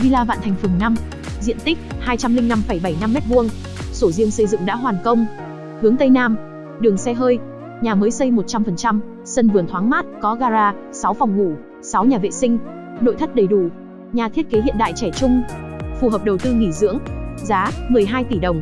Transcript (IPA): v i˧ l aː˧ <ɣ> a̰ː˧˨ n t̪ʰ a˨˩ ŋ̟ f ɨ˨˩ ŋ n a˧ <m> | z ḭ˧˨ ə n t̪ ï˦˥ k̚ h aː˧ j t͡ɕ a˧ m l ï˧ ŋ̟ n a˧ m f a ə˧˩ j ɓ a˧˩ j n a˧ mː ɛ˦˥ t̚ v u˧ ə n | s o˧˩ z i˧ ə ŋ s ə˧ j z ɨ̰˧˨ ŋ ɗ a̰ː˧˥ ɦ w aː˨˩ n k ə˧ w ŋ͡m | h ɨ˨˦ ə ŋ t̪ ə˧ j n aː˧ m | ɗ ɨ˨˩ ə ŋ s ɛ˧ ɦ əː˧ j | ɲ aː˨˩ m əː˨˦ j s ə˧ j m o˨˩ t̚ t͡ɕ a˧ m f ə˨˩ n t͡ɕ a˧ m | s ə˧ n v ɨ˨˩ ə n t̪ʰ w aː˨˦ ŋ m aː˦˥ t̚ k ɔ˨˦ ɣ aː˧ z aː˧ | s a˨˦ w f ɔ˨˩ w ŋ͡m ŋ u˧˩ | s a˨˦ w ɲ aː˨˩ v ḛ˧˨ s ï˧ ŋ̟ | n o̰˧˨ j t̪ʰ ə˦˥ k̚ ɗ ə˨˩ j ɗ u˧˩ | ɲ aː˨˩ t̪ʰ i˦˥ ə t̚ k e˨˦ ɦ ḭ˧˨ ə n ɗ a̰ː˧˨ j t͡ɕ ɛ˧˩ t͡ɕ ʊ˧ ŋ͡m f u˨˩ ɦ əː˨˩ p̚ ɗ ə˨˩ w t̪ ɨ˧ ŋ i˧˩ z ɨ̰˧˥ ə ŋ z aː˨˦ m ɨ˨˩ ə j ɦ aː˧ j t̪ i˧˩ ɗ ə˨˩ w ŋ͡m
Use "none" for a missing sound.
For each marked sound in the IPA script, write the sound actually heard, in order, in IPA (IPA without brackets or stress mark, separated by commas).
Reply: v, m